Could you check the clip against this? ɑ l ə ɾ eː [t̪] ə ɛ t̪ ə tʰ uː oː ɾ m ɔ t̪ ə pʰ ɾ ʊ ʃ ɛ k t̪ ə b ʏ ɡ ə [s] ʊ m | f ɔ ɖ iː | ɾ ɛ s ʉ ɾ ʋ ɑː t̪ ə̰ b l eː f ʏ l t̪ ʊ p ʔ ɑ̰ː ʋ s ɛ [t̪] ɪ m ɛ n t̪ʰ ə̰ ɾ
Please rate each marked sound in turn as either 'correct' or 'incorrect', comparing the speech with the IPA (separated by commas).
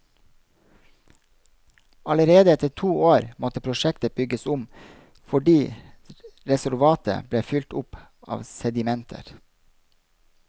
incorrect, correct, incorrect